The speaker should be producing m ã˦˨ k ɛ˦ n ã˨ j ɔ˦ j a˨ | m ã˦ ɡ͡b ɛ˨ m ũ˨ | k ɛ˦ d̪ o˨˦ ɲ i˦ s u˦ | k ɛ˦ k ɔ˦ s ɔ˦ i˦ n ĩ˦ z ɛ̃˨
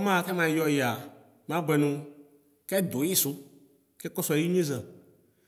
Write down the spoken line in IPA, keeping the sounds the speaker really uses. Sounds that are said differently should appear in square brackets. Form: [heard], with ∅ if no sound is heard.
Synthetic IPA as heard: m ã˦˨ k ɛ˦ [m] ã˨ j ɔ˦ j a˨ | m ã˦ ɡ͡b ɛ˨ [n] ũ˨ | k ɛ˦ d̪ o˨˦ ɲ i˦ s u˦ | k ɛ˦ k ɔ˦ s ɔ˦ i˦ [ɲ] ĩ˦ z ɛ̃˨